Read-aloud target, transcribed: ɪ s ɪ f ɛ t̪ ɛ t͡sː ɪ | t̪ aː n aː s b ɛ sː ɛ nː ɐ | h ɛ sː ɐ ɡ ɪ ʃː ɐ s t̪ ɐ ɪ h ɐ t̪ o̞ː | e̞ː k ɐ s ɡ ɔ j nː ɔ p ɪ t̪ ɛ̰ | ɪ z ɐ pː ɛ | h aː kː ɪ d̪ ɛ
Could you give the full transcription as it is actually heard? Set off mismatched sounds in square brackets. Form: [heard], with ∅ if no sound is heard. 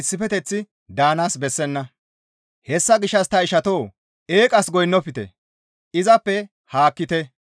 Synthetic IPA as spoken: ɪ [sː] ɪ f ɛ t̪ ɛ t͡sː ɪ | [d̪] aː n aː s b ɛ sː ɛ nː ɐ | h ɛ sː ɐ ɡ ɪ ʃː ɐ s t̪ ɐ ɪ [ʃ] ɐ t̪ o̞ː | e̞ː [kʼ] ɐ s ɡ ɔ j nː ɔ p ɪ t̪ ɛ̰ | ɪ z ɐ pː ɛ | h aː kː ɪ [t̪] ɛ